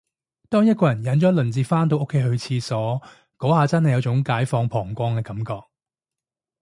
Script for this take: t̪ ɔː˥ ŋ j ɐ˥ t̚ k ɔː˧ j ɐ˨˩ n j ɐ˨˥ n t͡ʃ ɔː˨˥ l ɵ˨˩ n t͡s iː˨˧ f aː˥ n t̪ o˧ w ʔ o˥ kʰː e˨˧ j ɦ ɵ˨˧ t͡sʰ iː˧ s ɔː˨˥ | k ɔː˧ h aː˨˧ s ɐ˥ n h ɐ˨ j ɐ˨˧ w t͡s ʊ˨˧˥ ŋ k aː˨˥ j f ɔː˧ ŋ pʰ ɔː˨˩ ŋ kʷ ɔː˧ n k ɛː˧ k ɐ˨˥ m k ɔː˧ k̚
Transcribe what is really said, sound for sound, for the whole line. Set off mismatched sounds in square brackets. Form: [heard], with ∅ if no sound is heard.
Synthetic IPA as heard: t̪ ɔː˥ ŋ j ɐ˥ t̚ k ɔː˧ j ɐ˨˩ n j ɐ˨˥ n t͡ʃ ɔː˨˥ l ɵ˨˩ n t͡s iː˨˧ f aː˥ n t̪ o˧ w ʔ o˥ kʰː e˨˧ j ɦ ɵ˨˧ t͡sʰ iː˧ s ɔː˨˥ | k [ɔː˨˥] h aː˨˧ [t͡s] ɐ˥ n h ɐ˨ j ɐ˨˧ w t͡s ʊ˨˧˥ ŋ k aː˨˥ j f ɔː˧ ŋ pʰ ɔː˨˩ ŋ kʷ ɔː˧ [ŋ] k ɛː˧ k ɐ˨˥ m k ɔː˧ k̚